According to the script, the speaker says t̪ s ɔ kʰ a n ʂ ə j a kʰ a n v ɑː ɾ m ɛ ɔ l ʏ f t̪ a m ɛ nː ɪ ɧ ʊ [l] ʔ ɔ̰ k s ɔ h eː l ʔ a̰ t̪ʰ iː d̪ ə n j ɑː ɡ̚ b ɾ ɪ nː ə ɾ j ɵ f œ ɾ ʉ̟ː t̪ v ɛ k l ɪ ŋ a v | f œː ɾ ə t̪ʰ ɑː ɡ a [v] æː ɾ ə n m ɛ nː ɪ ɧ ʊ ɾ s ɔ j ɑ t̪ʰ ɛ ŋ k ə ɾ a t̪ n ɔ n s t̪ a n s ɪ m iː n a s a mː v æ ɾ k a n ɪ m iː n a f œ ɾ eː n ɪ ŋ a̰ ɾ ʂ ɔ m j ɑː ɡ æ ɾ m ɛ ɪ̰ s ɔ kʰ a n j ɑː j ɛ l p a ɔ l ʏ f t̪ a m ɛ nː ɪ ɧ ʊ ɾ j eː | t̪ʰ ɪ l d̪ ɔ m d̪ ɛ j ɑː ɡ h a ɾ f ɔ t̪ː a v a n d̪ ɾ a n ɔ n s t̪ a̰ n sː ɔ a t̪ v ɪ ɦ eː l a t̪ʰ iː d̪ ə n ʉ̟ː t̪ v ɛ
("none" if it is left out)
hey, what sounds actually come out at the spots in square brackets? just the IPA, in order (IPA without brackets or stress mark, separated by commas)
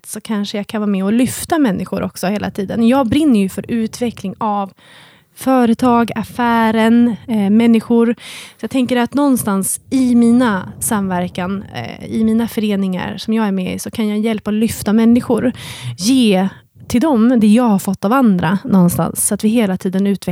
ɾ, f